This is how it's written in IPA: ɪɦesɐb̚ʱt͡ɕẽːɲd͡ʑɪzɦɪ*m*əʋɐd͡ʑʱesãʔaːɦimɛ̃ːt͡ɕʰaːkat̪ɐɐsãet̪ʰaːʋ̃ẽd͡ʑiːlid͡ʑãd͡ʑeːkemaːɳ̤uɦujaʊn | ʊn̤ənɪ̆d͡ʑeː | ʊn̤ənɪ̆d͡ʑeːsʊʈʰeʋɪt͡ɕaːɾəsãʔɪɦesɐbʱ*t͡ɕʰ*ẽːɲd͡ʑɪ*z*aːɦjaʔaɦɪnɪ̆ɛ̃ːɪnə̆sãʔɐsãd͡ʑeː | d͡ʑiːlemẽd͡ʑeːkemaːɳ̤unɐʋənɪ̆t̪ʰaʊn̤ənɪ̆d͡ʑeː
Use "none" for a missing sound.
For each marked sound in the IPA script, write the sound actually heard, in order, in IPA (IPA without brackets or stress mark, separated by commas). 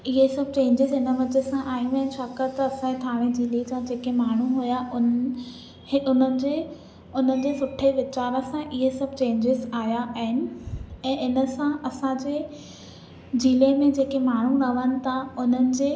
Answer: n, t͡ɕ, z